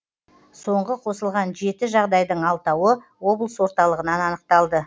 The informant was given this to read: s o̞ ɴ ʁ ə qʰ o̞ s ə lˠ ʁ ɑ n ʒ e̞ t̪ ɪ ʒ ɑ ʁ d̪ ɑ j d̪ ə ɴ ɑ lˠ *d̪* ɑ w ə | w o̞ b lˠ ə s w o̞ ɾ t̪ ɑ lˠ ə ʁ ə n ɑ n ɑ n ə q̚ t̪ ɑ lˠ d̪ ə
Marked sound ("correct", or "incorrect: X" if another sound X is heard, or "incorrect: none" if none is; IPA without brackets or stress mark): incorrect: t̪